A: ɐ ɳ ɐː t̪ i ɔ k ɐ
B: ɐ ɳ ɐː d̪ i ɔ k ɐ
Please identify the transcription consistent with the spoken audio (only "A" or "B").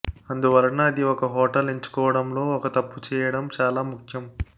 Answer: B